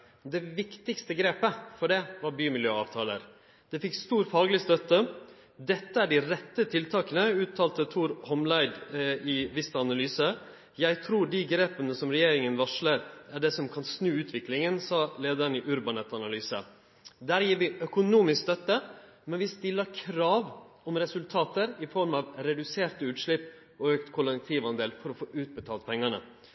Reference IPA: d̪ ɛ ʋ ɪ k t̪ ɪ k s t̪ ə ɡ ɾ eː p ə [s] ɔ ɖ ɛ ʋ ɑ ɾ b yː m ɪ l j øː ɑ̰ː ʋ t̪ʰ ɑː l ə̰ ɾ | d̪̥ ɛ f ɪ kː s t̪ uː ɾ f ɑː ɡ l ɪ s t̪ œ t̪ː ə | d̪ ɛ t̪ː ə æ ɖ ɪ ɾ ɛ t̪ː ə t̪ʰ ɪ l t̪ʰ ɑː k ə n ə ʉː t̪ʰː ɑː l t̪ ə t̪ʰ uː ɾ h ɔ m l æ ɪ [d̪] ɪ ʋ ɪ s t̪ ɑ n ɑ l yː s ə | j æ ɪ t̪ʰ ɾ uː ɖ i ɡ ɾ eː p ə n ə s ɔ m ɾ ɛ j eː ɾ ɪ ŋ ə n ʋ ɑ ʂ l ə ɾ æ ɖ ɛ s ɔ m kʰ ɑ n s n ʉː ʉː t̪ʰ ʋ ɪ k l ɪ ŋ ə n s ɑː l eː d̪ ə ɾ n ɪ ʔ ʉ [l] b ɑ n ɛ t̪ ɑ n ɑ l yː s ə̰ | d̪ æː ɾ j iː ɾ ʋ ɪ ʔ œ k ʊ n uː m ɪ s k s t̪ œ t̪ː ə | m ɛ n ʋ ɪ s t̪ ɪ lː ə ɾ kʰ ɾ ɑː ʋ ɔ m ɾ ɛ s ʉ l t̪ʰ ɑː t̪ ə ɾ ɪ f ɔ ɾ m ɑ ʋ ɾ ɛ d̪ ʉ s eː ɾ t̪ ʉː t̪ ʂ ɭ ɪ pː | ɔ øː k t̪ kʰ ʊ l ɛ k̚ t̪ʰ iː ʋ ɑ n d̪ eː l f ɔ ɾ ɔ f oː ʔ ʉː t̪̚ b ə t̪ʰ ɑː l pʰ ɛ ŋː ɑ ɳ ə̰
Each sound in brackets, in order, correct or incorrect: incorrect: f, correct, incorrect: ɾ

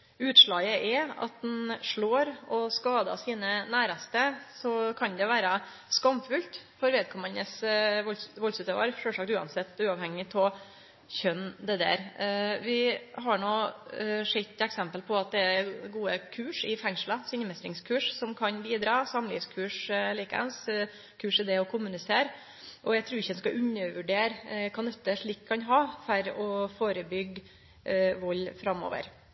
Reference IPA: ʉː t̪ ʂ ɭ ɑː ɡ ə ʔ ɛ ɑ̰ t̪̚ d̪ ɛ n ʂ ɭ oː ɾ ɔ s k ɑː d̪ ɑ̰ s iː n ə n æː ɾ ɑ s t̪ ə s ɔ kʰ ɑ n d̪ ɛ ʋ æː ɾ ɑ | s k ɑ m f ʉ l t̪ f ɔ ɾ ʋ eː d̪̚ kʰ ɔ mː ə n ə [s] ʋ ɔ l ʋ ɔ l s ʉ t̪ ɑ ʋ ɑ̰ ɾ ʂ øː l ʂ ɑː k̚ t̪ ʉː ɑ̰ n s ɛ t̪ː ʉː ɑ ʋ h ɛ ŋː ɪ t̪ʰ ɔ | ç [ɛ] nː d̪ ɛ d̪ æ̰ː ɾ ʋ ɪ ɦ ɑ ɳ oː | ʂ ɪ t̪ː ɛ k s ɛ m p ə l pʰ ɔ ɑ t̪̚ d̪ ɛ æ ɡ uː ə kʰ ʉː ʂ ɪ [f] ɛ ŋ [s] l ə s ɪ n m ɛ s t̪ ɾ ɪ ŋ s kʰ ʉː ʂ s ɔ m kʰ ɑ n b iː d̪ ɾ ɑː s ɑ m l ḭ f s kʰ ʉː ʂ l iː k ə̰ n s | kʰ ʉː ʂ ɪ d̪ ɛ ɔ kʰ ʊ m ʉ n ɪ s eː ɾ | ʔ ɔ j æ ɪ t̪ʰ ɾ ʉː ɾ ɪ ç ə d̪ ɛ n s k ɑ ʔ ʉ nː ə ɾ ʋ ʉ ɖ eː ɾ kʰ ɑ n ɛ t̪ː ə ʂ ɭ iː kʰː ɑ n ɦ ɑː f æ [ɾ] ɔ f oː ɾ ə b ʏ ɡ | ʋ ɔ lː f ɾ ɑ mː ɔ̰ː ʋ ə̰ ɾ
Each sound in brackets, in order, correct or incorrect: correct, incorrect: œ, correct, incorrect: ʂ, correct

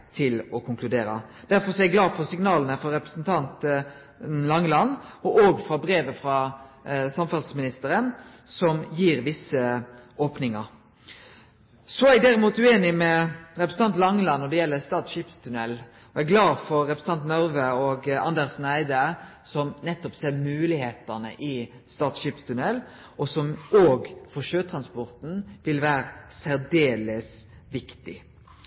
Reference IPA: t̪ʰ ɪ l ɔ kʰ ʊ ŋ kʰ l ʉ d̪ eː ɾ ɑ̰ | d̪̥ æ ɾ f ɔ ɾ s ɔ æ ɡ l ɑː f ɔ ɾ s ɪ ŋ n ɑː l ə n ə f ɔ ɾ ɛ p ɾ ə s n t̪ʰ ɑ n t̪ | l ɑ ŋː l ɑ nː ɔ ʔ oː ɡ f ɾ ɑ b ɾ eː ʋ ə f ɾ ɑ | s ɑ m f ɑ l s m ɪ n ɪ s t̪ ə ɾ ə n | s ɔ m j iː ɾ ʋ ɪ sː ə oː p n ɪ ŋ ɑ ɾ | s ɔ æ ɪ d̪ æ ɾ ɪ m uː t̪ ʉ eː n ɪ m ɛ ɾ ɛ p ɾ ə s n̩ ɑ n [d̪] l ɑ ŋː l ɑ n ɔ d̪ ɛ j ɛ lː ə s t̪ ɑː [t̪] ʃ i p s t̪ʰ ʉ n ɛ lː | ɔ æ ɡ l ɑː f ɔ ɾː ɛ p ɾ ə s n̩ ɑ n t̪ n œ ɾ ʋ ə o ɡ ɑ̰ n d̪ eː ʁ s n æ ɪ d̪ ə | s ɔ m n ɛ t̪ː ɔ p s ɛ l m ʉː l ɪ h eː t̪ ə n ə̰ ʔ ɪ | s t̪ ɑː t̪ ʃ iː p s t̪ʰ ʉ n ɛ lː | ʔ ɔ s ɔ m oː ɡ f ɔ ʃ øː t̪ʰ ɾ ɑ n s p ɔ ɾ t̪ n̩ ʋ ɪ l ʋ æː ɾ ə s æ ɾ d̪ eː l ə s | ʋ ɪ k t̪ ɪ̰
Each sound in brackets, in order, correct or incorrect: incorrect: t̪, correct

